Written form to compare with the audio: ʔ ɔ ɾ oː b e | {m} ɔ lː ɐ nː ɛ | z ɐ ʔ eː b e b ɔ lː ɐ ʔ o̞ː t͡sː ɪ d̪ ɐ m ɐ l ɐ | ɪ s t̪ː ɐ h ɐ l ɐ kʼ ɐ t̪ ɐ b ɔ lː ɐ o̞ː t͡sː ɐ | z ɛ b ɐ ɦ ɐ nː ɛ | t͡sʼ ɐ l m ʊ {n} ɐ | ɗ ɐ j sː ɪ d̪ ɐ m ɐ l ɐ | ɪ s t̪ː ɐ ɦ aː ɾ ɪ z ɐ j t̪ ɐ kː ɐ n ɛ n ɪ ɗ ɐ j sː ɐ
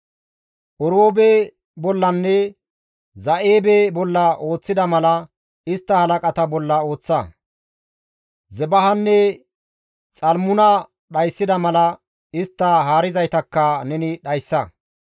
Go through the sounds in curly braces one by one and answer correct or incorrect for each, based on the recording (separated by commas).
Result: incorrect, correct